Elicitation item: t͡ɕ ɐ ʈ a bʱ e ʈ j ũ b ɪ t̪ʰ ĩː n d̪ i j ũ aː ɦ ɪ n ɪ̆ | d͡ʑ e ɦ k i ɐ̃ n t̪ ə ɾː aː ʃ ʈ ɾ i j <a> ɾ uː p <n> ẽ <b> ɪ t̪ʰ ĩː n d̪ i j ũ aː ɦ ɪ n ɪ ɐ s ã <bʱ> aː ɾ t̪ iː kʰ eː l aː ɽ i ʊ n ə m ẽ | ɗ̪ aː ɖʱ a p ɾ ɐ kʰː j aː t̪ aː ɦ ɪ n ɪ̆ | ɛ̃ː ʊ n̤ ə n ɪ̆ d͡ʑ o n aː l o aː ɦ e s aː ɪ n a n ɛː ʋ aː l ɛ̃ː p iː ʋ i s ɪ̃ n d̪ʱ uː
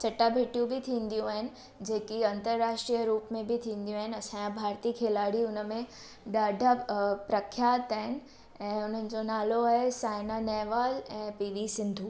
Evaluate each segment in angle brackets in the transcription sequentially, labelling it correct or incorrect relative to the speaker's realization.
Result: incorrect: ə, incorrect: m, correct, correct

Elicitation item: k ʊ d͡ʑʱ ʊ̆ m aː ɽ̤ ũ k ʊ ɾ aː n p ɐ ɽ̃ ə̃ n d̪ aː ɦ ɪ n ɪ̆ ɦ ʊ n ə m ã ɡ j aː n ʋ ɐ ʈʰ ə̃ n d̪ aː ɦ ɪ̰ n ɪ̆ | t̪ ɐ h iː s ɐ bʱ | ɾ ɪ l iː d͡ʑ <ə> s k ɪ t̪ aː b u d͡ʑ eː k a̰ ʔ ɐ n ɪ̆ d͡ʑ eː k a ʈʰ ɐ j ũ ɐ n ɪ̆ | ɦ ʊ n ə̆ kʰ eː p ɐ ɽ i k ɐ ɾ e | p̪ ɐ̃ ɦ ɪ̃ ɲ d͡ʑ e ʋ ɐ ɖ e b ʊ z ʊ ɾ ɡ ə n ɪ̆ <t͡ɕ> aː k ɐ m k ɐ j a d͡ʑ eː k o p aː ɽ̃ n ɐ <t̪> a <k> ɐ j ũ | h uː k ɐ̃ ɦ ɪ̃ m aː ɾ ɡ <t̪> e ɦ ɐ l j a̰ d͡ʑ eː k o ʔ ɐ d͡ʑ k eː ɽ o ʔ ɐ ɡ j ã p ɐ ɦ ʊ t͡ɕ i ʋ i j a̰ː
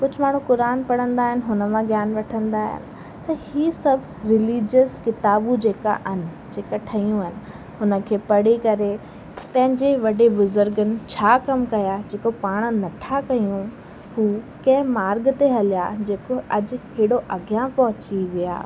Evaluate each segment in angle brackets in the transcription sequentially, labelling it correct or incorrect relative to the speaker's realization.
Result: correct, incorrect: t͡ɕʰ, incorrect: t̪ʰ, correct, correct

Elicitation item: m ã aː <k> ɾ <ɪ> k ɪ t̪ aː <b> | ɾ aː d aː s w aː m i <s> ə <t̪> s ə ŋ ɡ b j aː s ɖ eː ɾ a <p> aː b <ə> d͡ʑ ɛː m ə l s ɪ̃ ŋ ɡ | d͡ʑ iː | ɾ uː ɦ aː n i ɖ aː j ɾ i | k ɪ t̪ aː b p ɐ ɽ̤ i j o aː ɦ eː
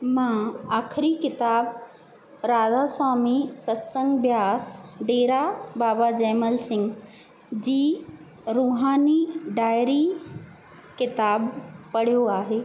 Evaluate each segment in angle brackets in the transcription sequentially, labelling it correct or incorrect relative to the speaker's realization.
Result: incorrect: kʰ, incorrect: i, correct, correct, correct, incorrect: b, incorrect: a

